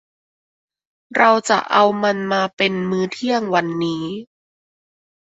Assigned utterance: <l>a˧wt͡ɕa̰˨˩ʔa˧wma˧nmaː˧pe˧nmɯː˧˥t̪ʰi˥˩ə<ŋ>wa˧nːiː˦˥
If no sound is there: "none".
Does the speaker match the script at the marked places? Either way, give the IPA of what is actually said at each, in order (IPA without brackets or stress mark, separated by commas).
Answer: ɾ, ŋ